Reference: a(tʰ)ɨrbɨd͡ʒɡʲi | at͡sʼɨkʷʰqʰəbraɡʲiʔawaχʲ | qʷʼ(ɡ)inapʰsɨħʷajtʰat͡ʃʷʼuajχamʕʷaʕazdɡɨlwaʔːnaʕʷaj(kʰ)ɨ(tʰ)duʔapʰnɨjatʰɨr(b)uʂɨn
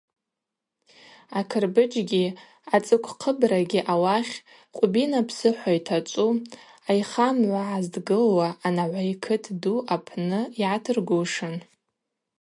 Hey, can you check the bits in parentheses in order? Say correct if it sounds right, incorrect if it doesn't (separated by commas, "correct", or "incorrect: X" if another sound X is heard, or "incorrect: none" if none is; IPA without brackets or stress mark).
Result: incorrect: kʰ, incorrect: b, correct, correct, incorrect: ɡ